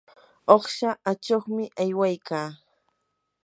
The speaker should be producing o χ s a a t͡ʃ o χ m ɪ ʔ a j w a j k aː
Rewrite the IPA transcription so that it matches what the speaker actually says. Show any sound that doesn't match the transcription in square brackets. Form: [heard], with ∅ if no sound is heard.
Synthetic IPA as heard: o χ [ʃ] a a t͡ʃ o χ m ɪ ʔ a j w a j k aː